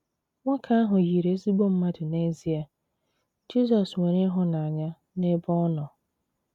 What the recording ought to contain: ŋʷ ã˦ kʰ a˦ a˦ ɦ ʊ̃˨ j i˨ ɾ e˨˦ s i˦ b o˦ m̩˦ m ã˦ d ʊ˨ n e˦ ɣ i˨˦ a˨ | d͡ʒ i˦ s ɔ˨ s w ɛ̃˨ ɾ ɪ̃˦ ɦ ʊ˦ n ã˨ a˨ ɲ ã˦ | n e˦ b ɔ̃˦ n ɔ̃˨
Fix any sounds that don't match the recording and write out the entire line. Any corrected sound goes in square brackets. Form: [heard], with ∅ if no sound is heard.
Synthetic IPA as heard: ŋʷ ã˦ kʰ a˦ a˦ ɦ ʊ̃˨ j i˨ ɾ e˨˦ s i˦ b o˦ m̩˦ m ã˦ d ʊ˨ n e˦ [z] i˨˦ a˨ | d͡ʒ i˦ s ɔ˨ s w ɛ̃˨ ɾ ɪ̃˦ ɦ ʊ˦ n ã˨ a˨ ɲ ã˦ | n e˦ b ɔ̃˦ n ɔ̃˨